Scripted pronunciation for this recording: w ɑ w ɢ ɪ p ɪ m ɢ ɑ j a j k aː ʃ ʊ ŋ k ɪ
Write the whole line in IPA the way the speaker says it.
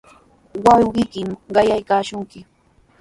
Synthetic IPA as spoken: w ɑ w ɢ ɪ k ɪ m ɢ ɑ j a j k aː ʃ ʊ ŋ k ɪ